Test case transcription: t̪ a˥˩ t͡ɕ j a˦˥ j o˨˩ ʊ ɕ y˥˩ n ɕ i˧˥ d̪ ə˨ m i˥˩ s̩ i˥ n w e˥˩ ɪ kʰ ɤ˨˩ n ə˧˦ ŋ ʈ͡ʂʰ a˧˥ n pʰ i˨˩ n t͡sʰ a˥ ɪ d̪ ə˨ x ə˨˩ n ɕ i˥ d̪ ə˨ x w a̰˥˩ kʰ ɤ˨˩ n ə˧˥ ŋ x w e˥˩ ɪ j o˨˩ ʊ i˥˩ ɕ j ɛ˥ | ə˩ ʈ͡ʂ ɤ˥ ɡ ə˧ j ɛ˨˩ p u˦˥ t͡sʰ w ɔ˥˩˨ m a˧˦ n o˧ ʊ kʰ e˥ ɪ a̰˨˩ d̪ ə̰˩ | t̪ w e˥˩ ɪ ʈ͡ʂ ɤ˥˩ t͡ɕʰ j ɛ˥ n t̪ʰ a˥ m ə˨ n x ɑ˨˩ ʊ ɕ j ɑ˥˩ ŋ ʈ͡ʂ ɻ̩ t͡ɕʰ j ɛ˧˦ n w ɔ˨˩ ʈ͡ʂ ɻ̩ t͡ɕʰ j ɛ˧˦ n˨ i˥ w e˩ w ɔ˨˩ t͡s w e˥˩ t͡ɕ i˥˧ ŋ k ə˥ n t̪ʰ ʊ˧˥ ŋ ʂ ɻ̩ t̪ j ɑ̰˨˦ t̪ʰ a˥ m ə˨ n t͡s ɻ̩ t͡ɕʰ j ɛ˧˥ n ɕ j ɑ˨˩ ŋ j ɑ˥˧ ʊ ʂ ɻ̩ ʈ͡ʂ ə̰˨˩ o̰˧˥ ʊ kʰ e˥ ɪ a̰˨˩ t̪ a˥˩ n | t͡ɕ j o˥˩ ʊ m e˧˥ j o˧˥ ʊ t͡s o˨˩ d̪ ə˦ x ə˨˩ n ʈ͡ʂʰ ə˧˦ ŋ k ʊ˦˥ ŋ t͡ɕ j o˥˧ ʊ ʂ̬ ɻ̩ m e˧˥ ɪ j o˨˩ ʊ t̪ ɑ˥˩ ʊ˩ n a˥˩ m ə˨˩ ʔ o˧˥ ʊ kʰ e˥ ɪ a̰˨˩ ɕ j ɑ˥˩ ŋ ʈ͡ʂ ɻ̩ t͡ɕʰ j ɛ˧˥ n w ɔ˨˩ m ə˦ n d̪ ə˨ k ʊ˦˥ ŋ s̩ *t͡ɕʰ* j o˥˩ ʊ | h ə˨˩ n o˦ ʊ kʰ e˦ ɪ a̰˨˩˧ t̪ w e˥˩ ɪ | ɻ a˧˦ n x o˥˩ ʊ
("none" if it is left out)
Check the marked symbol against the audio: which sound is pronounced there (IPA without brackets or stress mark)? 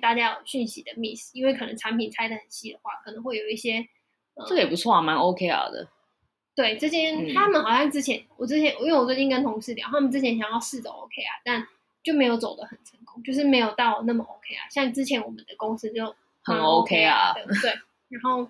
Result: t͡ɕ